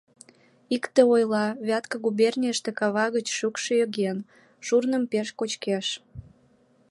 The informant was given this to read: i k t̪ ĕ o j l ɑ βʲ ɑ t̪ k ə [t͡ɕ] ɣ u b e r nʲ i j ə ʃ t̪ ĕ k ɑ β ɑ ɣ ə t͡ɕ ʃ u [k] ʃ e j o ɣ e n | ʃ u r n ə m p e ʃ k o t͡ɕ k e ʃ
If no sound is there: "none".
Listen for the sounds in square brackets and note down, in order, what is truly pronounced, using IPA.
none, k

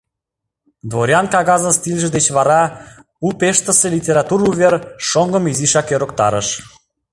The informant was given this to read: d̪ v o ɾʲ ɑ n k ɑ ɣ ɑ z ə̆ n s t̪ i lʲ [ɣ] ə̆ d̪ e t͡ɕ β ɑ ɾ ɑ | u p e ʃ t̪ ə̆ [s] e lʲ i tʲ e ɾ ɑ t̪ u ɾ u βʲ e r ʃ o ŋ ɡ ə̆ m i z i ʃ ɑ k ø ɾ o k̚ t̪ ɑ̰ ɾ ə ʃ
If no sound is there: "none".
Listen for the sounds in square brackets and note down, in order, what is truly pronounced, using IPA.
ʒ, s

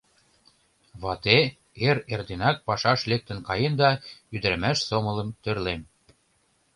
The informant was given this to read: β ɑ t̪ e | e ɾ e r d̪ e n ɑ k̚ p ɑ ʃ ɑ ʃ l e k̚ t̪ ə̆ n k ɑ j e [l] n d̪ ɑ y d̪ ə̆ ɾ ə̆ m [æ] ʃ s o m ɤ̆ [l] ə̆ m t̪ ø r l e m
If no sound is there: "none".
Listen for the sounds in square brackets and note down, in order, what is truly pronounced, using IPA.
none, æ, l

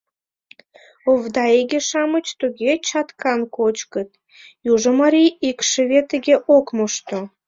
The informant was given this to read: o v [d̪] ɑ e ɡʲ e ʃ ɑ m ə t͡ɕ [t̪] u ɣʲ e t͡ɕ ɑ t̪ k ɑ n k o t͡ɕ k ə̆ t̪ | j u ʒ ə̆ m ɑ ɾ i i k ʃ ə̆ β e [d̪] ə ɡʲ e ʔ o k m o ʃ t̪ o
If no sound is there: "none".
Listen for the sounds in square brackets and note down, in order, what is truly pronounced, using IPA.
d̪, t̪, t̪

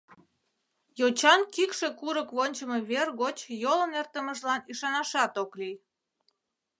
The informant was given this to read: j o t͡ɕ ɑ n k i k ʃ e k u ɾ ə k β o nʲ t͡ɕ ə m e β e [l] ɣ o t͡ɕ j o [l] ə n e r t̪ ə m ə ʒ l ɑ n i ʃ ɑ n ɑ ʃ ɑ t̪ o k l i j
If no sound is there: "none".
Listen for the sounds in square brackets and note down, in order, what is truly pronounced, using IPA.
r, l

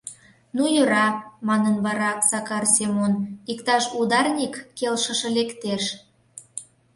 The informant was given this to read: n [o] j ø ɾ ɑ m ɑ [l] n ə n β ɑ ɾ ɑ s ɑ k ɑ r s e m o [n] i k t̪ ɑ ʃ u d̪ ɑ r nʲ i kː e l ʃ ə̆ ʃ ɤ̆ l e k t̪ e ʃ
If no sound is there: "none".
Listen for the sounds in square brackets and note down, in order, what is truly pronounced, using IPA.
u, none, n

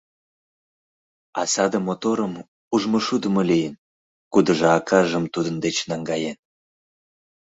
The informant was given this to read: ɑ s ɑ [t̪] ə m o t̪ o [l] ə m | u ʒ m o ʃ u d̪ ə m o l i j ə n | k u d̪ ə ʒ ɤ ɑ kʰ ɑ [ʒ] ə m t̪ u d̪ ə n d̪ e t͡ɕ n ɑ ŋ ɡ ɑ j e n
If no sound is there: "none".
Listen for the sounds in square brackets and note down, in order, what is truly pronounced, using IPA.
d̪, ɾ, ʒ

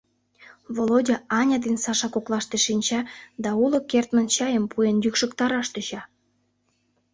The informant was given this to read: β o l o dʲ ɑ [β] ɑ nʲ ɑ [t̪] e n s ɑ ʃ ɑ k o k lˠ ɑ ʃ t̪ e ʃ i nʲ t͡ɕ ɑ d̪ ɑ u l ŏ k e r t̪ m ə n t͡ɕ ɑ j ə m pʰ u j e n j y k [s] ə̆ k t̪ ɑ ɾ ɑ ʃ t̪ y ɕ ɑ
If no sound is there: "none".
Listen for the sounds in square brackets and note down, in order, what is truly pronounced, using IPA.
none, d̪, ʃ

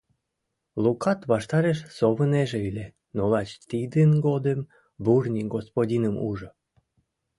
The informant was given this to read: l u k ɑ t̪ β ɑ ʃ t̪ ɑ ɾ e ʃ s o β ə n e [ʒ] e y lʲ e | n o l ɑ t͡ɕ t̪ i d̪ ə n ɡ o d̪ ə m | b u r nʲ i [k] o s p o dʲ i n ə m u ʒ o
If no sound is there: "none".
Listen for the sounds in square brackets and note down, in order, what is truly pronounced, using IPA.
ʒ, ɡ

